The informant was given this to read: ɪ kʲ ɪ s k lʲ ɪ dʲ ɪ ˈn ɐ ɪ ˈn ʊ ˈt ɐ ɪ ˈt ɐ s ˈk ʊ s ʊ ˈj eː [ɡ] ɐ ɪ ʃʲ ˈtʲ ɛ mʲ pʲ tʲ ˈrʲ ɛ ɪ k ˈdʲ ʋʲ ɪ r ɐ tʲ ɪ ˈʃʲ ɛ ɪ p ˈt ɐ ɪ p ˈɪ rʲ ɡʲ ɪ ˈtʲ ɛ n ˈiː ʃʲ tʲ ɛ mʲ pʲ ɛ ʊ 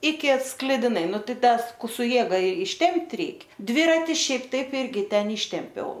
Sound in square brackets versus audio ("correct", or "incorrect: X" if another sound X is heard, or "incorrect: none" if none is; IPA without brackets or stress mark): correct